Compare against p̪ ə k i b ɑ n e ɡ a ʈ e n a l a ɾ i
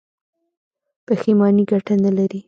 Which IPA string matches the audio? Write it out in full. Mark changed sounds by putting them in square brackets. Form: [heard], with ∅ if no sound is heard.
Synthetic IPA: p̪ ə [x] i [m] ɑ n [i] ɡ a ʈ [a] n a l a ɾ i